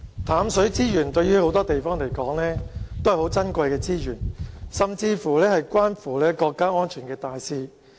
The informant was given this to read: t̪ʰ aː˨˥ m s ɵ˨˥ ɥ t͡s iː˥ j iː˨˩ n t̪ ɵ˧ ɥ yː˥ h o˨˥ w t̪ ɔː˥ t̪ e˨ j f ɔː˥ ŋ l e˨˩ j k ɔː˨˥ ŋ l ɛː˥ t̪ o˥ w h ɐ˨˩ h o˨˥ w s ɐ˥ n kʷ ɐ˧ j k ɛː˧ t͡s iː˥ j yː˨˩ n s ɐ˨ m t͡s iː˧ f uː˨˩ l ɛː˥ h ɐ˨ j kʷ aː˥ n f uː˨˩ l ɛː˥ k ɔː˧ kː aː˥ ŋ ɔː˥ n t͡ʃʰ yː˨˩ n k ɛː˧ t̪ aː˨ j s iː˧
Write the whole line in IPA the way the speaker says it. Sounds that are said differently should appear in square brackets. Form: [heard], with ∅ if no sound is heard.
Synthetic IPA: t̪ʰ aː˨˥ m s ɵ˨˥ ɥ t͡s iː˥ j [yː˨˩] n t̪ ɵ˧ ɥ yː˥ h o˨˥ w t̪ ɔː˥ t̪ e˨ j f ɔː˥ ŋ l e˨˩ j k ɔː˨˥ ŋ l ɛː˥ t̪ o˥ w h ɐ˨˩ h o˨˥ w [t͡s] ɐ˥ n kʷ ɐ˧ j k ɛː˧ t͡s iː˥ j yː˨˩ n s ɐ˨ m t͡s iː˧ f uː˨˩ l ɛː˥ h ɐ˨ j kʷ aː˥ n f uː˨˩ l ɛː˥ k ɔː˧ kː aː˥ ŋ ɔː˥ n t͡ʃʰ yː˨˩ n k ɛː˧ t̪ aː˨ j s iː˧

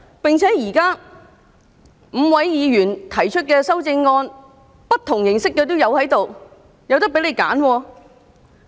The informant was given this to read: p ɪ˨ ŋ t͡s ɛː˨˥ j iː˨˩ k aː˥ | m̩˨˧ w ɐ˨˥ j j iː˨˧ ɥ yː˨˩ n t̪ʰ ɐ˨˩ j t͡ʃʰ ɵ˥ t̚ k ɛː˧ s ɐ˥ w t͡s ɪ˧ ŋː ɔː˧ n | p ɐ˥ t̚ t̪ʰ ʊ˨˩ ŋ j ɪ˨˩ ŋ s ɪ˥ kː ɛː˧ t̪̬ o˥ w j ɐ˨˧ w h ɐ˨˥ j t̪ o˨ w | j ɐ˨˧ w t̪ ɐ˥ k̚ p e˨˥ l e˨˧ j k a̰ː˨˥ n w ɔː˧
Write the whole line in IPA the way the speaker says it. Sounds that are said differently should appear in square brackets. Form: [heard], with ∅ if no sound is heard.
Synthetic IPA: p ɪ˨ ŋ [t͡sʰ] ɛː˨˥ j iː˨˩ k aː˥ | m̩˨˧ w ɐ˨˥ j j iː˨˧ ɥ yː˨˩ n t̪ʰ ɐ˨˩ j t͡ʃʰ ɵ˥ t̚ k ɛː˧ s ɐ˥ w t͡s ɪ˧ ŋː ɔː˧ n | p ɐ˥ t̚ t̪ʰ ʊ˨˩ ŋ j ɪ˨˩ ŋ s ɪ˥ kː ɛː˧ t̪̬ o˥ w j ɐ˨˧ w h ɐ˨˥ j t̪ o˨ w | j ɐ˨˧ w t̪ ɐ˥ k̚ p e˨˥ l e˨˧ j k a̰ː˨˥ n w ɔː˧

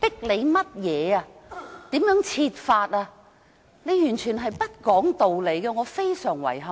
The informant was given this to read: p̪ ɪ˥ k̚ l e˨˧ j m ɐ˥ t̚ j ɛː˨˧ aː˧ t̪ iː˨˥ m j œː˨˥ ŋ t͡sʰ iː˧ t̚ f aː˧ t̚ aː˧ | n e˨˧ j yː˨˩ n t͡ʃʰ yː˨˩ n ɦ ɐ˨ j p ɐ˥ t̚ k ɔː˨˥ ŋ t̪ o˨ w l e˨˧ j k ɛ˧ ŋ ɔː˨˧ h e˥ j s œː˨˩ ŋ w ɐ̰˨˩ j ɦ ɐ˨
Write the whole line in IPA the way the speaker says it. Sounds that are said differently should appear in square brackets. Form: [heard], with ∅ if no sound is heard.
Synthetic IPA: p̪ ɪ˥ k̚ l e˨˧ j m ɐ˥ t̚ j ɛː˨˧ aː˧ t̪ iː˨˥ m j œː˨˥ ŋ t͡sʰ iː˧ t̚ f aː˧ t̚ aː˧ | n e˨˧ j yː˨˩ n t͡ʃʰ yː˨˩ n ɦ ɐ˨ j p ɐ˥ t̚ k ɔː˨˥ ŋ t̪ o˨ w l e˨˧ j k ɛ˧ ŋ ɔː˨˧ [f] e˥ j s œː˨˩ ŋ w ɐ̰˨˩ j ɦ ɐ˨

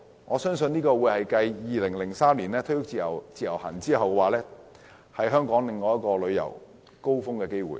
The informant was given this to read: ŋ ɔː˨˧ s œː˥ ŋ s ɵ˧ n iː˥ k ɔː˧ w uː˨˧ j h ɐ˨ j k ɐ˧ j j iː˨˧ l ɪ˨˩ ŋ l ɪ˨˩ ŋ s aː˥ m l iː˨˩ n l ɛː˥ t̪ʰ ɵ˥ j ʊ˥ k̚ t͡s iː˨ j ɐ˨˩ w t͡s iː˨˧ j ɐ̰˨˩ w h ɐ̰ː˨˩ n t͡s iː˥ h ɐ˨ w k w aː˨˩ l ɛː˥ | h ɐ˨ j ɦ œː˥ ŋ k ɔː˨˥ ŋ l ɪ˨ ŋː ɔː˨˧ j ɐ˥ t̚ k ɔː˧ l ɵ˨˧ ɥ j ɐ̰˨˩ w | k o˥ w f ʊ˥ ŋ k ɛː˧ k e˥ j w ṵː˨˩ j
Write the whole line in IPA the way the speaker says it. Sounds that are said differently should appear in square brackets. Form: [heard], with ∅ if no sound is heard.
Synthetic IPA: ŋ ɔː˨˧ s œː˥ ŋ s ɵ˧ n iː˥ k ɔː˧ w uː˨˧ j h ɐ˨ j k ɐ˧ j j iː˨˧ l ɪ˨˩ ŋ l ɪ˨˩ ŋ s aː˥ m l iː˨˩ n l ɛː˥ t̪ʰ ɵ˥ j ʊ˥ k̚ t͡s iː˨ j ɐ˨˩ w t͡s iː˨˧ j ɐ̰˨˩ w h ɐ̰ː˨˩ n t͡s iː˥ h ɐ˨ w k w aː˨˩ l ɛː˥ | h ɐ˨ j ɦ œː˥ ŋ k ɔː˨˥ ŋ l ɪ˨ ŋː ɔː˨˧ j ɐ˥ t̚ k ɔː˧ l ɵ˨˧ ɥ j ɐ̰˨˩ w | k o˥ w f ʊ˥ ŋ k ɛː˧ k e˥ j w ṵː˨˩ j

